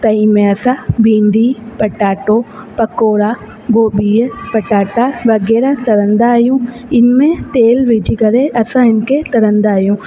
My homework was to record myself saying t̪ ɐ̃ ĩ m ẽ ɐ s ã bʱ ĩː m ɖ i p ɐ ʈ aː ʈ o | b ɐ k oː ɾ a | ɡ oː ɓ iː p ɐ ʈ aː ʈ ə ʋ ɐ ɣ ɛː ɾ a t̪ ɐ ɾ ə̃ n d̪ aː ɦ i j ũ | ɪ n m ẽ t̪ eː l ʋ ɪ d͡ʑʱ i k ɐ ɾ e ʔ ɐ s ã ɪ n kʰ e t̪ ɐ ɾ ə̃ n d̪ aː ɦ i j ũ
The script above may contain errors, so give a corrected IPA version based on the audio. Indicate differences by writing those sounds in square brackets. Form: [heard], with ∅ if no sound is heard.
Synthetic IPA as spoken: t̪ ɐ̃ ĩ m ẽ ɐ s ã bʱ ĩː [ɳ] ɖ i p ɐ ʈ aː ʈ o | [p] ɐ k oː ɾ a | ɡ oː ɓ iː p ɐ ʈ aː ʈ [a] ʋ ɐ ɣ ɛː ɾ a t̪ ɐ ɾ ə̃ n d̪ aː ɦ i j ũ | ɪ n m ẽ t̪ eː l ʋ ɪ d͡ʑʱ i k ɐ ɾ e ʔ ɐ s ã ɪ n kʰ e t̪ ɐ ɾ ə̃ n d̪ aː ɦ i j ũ